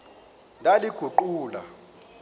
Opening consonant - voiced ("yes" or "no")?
yes